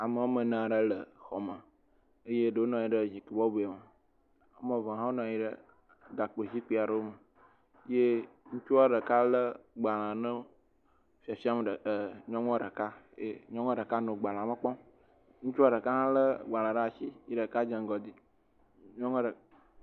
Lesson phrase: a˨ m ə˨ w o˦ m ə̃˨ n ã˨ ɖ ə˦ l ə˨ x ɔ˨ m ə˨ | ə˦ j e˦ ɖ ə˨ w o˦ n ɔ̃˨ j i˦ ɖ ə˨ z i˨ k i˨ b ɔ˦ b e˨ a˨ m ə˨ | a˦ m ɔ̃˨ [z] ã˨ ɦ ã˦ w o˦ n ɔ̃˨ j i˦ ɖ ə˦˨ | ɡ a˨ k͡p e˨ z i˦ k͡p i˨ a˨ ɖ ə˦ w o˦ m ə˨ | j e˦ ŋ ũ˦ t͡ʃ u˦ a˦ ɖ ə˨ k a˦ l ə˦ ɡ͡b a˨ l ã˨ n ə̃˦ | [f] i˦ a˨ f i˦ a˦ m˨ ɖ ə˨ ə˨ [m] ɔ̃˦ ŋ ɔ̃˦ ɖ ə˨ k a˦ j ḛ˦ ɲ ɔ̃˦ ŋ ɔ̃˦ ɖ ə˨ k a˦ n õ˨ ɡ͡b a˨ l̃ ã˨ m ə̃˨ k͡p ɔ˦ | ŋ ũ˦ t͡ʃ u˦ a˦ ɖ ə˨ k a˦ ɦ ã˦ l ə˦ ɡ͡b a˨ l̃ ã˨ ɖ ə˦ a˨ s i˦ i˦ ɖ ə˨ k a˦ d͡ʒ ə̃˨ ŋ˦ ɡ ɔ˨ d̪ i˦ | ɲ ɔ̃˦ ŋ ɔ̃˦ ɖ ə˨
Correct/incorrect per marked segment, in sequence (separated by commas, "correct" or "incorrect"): incorrect, correct, incorrect